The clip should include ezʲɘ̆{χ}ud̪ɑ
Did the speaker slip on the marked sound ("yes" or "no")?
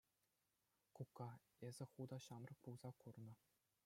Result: no